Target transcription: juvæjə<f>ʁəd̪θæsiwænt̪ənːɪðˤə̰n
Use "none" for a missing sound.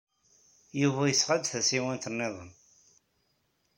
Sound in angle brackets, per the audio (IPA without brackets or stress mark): s